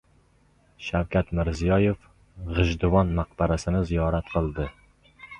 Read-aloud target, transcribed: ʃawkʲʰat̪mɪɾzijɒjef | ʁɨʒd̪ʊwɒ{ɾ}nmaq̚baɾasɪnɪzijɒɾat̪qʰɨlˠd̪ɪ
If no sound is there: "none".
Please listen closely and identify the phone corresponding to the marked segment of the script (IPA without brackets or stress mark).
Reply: none